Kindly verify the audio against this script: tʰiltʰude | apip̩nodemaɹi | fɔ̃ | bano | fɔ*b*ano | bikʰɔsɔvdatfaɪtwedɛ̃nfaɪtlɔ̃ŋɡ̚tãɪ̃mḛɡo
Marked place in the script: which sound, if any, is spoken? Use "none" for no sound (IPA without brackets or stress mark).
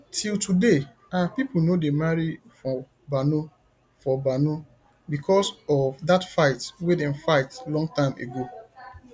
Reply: b